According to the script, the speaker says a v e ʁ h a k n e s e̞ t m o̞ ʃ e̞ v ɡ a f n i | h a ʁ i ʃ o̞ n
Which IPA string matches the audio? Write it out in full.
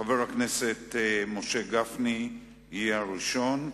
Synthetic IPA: a v e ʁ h a k n e s e̞ t m o̞ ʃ e̞ ɡ a f n i | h a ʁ i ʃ o̞ n